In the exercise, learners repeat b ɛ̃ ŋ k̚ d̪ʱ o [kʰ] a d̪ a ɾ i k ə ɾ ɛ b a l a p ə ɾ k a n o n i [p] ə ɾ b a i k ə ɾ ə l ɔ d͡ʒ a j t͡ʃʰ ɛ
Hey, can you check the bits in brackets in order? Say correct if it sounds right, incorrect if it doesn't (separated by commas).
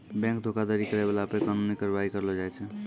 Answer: incorrect, incorrect